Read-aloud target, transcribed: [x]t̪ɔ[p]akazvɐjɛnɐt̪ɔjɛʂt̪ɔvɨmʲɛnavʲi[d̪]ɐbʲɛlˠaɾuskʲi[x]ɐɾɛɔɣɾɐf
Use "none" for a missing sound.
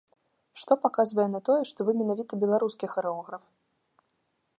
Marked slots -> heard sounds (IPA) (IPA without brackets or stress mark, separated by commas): ʂ, p, t̪, x